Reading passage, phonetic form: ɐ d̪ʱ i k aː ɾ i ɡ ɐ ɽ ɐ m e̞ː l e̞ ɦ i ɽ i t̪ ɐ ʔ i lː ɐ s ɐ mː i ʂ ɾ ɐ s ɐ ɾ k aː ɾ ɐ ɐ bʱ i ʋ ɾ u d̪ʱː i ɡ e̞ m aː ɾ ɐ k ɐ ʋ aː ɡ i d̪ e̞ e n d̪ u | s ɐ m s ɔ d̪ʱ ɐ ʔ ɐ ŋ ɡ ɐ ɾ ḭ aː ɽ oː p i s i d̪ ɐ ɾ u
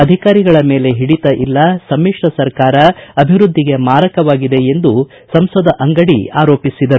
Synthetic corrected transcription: ɐ d̪ʱ i k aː ɾ i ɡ ɐ ɭ ɐ m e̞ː l e̞ ɦ i ɽ i t̪ ɐ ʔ i lː ɐ s ɐ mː i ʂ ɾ ɐ s ɐ ɾ k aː ɾ ɐ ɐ bʱ i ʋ ɾ u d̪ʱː i ɡ e̞ m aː ɾ ɐ k ɐ ʋ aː ɡ i d̪ e̞ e n d̪ u | s ɐ m s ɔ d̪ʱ ɐ ʔ ɐ ŋ ɡ ɐ ɽ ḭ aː ɾ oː p i s i d̪ ɐ ɾ u